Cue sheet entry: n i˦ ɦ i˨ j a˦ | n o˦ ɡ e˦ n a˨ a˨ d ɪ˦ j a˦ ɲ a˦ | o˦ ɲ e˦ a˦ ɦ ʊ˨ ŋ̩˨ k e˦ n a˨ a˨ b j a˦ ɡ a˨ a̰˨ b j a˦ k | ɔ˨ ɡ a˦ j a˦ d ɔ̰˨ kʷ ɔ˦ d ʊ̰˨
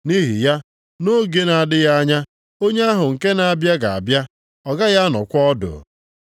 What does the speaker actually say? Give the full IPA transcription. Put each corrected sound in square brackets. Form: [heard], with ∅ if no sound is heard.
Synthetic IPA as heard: n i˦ ɦ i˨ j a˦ | n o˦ ɡ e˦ n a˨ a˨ d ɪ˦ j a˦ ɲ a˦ | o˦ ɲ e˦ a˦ ɦ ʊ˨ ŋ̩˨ k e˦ n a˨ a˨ b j a˦ ɡ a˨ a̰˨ b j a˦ [∅] | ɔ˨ ɡ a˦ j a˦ [n] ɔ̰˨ kʷ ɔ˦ d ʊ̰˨